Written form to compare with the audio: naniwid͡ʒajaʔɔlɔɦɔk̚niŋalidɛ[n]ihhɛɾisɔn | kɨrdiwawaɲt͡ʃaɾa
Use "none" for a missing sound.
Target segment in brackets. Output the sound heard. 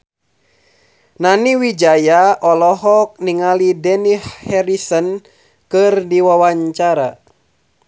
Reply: n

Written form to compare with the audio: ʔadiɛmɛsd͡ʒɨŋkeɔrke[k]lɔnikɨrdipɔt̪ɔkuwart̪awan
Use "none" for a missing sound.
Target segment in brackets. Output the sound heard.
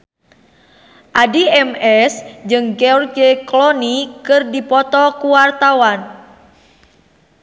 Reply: k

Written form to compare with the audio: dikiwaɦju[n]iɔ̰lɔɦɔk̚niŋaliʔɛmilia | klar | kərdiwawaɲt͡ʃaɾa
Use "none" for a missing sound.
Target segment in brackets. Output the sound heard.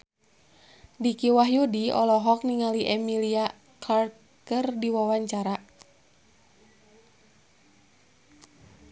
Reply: d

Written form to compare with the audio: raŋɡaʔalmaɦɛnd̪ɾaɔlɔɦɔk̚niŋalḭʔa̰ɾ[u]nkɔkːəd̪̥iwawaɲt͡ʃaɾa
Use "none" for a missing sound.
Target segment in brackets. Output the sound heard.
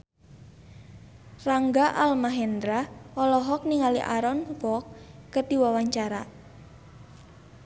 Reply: ɔ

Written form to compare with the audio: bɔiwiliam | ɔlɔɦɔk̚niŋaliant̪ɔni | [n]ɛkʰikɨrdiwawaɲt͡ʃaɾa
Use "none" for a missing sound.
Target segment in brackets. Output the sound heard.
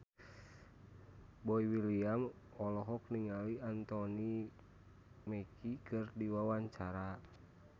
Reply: m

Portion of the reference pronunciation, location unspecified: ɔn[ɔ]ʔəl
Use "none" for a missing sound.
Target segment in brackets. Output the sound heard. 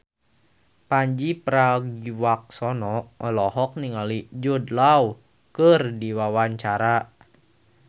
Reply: ɔ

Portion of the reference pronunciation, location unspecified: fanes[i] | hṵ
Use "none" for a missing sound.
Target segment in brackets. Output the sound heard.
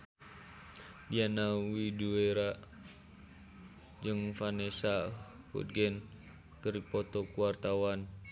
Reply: a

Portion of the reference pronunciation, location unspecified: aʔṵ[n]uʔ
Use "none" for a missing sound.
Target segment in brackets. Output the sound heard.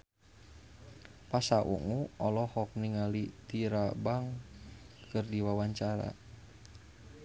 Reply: ŋ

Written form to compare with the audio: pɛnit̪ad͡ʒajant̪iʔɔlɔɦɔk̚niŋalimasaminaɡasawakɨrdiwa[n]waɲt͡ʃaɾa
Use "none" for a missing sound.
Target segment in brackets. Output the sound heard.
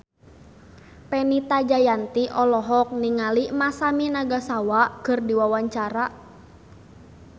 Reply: none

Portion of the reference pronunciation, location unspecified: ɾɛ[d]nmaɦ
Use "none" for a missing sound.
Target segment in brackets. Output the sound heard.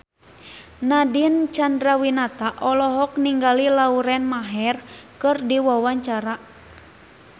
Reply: none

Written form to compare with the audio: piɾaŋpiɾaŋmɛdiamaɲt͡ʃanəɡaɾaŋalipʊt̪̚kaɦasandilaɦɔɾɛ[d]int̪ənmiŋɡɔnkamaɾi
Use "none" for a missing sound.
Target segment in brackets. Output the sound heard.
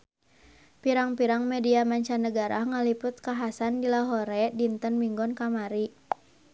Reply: d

